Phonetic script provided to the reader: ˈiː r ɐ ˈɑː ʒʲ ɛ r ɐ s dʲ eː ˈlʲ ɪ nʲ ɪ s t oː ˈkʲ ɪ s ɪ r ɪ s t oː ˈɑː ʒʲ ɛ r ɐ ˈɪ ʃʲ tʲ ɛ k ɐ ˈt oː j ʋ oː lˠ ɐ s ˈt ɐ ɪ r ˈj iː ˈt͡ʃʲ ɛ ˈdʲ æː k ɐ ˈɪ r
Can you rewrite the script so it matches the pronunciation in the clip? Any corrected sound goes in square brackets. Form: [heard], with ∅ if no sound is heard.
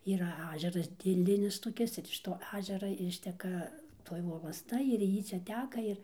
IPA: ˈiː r ɐ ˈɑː ʒʲ ɛ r ɐ s dʲ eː ˈlʲ ɪ nʲ ɪ s t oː ˈkʲ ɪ s ɪ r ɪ [ʃ] t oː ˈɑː ʒʲ ɛ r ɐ ˈɪ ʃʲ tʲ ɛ k ɐ ˈt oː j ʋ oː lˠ ɐ s ˈt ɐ ɪ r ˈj iː ˈt͡ʃʲ ɛ [ˈtʲ] æː k ɐ ˈɪ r